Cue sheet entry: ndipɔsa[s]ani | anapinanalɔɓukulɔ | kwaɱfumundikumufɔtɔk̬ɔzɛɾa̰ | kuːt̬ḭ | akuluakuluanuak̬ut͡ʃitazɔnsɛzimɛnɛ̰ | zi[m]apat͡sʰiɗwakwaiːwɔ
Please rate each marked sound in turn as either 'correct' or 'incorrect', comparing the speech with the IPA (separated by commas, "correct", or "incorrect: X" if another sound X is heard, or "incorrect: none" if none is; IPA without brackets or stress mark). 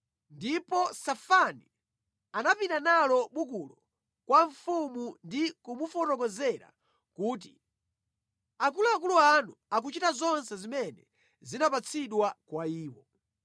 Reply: incorrect: f, incorrect: n